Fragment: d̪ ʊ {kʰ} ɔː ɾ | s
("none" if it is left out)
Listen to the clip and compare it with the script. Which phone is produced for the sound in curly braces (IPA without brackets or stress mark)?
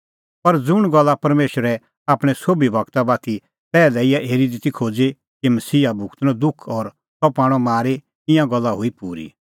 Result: kʰ